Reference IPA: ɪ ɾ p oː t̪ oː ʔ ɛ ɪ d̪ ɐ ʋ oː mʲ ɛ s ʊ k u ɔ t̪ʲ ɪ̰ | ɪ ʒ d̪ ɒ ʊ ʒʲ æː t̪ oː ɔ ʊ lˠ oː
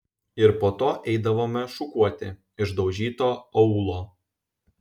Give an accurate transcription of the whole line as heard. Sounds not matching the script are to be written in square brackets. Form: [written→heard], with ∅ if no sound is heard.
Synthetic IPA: ɪ ɾ p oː t̪ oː ʔ ɛ ɪ d̪ ɐ ʋ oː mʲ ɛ [s→ʃ] ʊ k u ɔ t̪ʲ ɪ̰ | ɪ ʒ d̪ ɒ ʊ ʒʲ [æː→iː] t̪ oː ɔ ʊ lˠ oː